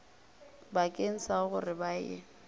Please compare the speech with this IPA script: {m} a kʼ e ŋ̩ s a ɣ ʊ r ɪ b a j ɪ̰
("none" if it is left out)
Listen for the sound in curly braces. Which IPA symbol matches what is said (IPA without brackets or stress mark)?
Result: b